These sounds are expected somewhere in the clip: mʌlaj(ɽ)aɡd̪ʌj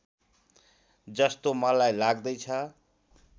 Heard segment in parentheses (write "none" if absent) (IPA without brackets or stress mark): l